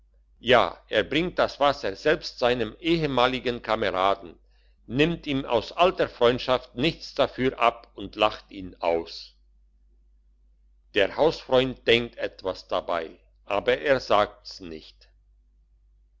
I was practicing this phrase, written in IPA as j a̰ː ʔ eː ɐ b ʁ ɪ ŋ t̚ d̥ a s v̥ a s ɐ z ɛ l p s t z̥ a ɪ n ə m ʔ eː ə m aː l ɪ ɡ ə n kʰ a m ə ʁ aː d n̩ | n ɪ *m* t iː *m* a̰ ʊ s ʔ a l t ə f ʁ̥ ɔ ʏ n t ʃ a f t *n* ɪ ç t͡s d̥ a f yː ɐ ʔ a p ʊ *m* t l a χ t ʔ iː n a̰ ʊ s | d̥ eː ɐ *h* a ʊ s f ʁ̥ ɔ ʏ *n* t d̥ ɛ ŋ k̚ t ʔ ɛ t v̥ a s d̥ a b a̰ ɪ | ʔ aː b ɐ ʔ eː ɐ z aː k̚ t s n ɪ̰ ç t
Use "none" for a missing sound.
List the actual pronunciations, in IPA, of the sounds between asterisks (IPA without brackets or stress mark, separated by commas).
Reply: m, m, n, n, h, n